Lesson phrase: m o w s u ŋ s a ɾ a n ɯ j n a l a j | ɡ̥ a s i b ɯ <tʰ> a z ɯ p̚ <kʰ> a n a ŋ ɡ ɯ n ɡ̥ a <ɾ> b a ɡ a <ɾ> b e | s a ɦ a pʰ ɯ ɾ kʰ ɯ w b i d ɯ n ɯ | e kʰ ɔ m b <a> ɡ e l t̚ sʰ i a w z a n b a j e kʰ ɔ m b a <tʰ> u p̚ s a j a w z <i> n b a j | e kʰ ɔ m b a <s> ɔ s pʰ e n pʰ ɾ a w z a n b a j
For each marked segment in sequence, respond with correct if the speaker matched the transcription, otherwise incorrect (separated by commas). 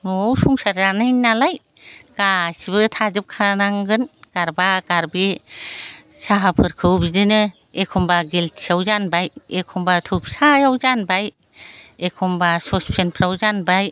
correct, correct, correct, correct, correct, correct, incorrect, correct